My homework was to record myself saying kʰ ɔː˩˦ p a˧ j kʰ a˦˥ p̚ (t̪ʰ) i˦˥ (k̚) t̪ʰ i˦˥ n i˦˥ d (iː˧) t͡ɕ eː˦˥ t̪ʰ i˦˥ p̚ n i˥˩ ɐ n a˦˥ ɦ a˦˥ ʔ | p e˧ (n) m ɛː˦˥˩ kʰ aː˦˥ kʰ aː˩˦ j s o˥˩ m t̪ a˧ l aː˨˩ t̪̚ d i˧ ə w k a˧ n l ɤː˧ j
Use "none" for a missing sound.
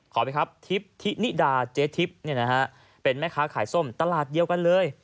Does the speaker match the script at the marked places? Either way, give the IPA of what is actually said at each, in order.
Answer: t̪ʰ, p̚, aː˧, n

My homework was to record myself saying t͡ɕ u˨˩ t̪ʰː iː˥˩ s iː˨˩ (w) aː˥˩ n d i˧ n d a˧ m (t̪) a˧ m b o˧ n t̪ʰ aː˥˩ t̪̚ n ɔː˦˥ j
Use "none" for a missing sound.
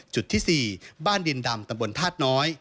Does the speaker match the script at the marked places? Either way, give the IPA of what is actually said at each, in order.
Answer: b, t̪

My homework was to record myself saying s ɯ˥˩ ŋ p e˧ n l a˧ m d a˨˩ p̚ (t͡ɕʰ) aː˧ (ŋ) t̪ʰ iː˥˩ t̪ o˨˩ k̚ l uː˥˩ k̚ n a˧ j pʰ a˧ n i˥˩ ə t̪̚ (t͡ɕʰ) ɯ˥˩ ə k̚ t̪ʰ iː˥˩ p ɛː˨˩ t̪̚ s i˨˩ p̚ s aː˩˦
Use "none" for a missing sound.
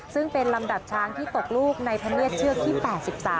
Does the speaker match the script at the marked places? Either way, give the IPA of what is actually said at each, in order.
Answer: t͡ɕʰ, ŋ, t͡ɕʰ

